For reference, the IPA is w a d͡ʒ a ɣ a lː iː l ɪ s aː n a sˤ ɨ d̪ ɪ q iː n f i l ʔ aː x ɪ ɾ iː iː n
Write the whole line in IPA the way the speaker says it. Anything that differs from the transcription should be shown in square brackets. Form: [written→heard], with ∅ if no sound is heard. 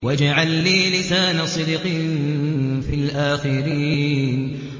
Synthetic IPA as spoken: w a d͡ʒ a [ɣ→ʕ] a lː iː l ɪ s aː n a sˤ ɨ d̪ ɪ q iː n f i l ʔ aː x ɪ ɾ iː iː n